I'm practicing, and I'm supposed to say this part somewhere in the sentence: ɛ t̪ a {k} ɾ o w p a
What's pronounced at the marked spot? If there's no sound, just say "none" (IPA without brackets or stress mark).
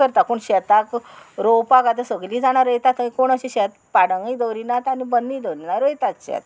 k